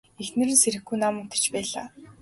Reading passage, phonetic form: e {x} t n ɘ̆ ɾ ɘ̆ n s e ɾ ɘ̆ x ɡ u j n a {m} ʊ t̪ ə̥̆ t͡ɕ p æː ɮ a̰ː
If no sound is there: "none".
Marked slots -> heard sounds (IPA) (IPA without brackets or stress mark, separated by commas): x, m